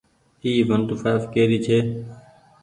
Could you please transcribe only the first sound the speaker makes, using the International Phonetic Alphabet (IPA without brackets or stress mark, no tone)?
iː